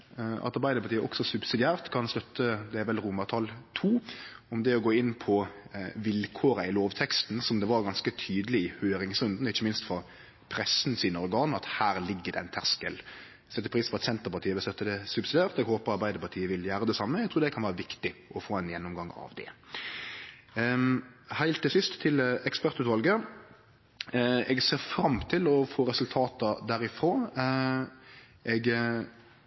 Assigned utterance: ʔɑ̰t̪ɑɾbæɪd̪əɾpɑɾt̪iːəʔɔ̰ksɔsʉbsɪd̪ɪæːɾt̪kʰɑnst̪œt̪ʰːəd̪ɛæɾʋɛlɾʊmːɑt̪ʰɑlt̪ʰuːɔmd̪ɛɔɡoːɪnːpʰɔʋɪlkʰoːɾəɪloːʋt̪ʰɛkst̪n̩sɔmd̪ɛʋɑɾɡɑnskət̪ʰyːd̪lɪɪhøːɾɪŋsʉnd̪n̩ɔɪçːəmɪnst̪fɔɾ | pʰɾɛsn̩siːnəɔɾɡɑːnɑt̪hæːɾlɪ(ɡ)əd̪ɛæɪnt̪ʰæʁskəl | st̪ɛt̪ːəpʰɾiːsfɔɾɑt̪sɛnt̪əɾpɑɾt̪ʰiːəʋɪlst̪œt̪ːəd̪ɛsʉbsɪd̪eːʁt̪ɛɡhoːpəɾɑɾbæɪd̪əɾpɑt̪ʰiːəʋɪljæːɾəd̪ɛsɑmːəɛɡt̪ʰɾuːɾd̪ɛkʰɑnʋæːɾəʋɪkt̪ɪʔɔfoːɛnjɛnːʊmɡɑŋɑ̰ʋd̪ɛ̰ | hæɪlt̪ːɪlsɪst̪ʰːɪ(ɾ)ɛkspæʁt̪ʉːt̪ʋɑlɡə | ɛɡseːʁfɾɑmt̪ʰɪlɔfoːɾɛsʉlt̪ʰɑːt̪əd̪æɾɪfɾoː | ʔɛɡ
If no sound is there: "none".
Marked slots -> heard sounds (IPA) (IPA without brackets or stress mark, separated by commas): ɡː, l